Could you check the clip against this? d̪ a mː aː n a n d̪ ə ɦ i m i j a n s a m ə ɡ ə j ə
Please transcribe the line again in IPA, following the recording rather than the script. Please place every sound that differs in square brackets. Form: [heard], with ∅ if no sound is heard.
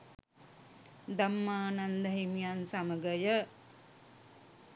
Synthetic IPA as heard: d̪ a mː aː n a n d̪ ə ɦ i m i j a n s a m ə ɡ ə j ə